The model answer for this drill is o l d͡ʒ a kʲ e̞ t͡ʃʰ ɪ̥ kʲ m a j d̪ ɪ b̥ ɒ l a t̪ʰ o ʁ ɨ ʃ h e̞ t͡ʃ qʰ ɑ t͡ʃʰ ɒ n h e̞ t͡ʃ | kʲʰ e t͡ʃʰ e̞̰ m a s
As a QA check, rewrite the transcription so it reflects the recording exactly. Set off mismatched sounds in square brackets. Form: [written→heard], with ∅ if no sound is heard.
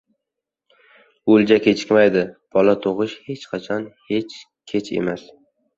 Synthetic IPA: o l d͡ʒ a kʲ e̞ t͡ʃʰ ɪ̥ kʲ m a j d̪ ɪ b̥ ɒ l a t̪ʰ o ʁ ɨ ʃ h e̞ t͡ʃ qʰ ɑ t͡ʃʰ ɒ n h e̞ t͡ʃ | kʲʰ e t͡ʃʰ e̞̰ m a s